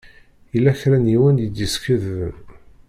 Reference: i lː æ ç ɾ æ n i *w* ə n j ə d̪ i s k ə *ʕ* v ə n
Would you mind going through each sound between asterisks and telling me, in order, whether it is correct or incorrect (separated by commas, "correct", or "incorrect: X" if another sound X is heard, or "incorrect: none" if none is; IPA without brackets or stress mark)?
correct, incorrect: ð